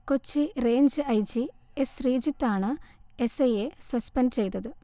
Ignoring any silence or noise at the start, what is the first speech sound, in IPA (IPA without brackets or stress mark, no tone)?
k